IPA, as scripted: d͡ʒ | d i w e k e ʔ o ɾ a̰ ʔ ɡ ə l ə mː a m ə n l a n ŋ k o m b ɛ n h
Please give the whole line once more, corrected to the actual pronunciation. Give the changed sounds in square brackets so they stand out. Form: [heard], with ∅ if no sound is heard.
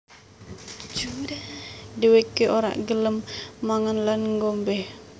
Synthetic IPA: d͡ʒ | d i w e k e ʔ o ɾ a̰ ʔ ɡ ə l ə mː a [ŋ] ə n l a n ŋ [ɡ] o m b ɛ [∅] h